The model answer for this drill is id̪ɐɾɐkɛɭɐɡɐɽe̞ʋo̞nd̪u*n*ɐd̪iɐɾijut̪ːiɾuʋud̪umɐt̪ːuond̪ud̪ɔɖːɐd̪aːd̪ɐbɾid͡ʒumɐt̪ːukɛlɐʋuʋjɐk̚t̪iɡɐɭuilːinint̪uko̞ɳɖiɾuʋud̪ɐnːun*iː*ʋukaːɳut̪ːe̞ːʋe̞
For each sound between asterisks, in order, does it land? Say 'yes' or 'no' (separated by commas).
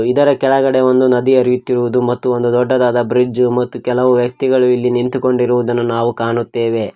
yes, no